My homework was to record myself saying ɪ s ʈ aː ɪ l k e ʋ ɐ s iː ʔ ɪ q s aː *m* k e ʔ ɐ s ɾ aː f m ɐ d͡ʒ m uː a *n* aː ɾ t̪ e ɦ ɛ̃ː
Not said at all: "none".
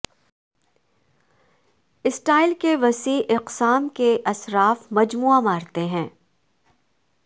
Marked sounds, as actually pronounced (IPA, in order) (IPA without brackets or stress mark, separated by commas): m, m